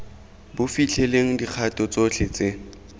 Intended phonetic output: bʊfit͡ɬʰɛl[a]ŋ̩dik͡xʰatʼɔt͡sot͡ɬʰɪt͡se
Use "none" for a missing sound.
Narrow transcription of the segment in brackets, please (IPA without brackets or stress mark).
e